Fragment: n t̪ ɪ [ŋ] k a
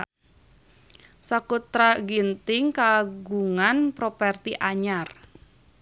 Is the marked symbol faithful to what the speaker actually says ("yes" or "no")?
yes